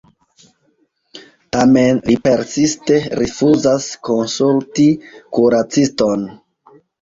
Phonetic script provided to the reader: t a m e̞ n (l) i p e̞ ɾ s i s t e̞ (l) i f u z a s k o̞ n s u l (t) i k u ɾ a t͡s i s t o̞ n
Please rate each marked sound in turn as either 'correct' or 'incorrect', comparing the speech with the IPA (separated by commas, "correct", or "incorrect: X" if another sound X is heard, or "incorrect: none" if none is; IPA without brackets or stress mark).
correct, incorrect: ɾ, correct